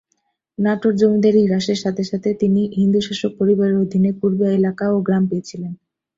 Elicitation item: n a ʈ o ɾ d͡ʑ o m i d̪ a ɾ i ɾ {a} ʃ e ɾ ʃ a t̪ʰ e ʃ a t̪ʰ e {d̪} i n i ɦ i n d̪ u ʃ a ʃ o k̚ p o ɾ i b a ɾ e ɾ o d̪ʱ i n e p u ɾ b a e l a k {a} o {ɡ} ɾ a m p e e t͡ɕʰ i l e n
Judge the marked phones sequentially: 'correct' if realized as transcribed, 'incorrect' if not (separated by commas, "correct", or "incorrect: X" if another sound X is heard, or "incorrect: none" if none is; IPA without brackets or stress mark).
correct, incorrect: t̪, correct, correct